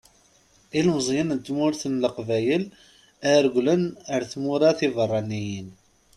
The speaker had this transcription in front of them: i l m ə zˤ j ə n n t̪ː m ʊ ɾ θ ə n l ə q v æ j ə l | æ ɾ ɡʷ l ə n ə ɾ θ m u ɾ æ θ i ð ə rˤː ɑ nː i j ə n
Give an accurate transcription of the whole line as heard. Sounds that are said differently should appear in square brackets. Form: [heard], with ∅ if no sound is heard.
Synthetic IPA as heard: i l m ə zˤ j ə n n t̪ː m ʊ ɾ θ ə n l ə q v æ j ə l | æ ɾ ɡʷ l ə n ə ɾ θ m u ɾ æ θ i [v] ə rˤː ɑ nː i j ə n